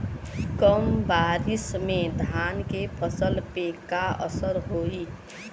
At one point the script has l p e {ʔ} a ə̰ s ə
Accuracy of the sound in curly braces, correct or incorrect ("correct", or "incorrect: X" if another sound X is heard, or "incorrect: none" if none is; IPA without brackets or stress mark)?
incorrect: k